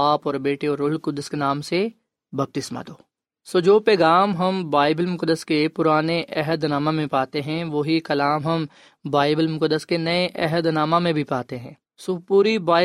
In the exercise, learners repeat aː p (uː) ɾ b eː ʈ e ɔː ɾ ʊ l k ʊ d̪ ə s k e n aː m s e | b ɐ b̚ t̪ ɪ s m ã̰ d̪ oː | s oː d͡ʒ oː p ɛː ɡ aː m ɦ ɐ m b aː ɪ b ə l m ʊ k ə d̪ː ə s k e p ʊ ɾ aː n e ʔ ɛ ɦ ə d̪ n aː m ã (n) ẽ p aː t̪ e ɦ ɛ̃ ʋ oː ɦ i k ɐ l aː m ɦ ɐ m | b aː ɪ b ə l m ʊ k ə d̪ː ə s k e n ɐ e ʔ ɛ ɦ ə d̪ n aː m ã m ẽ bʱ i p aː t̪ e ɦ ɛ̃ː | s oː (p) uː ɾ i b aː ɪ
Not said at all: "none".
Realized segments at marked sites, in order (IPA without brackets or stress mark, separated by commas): ɔː, m, p